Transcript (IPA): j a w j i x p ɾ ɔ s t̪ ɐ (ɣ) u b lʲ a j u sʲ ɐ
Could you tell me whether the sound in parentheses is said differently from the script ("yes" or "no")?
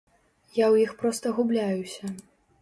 no